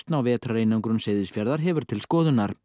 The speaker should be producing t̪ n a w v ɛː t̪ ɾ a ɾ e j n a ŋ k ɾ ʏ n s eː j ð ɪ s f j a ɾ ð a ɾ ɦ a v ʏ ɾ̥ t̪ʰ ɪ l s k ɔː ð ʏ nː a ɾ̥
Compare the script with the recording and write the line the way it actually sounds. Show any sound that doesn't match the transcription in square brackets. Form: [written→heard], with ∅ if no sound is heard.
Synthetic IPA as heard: t̪ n a w v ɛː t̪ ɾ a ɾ e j n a ŋ k ɾ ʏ n s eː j ð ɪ s f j a ɾ ð a ɾ ɦ [a→ɛ] v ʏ ɾ̥ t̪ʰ ɪ l s k ɔː ð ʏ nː a ɾ̥